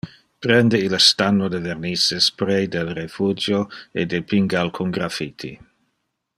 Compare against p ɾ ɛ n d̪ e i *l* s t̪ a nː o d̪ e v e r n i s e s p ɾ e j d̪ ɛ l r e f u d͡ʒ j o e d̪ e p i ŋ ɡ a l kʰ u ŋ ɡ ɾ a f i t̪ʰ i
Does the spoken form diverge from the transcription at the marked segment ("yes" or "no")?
no